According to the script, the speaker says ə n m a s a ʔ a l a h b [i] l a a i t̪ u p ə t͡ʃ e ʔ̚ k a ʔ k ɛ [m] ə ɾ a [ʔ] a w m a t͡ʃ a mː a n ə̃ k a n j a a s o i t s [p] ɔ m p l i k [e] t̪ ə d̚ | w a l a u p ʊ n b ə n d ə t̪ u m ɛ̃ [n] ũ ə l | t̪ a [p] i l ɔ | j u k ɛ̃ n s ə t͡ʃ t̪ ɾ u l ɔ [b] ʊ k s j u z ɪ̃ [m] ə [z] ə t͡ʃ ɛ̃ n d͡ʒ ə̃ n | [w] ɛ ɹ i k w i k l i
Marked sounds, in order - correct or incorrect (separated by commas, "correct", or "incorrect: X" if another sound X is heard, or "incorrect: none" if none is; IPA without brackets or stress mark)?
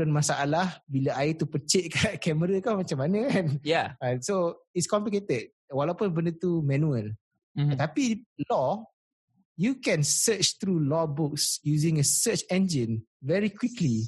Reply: correct, correct, incorrect: k, incorrect: k, correct, correct, correct, correct, incorrect: ŋ, incorrect: s, incorrect: v